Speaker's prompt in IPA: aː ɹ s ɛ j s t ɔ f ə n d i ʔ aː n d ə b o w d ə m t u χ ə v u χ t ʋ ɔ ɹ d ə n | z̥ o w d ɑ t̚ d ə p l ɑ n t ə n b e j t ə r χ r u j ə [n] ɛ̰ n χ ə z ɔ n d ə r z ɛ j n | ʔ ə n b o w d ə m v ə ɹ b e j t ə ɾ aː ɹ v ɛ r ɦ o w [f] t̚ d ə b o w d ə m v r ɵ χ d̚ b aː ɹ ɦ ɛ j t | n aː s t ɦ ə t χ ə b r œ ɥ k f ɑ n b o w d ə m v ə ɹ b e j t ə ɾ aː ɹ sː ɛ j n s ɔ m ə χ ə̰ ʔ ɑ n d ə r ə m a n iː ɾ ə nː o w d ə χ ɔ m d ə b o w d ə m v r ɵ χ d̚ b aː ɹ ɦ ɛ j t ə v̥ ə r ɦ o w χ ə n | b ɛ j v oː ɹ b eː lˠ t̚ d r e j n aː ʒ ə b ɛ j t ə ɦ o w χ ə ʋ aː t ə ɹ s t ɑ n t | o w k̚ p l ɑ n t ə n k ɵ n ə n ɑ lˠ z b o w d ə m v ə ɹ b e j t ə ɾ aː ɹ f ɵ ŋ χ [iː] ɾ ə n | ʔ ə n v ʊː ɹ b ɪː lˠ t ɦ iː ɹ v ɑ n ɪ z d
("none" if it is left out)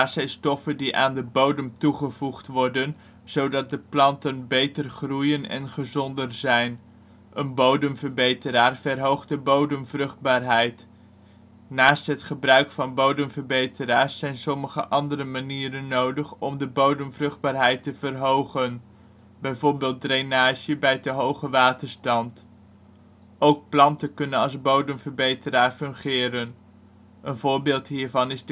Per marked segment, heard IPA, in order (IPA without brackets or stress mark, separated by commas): n, χ, ɪː